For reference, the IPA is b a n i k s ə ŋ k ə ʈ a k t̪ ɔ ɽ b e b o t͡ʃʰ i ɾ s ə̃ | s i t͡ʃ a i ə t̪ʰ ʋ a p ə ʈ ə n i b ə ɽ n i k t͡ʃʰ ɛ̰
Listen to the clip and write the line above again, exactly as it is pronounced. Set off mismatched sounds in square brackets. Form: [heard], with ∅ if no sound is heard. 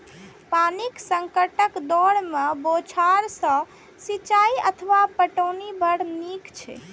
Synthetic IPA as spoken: [p] a n i k s ə ŋ k ə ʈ [ə] k [d̪] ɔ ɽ [m] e b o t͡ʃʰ [a] ɾ s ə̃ | s i t͡ʃ a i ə t̪ʰ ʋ a p ə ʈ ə n i b ə ɽ n i k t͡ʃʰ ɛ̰